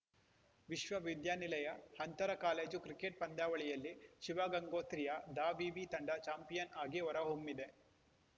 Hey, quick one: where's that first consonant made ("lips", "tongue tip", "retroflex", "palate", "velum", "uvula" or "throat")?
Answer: lips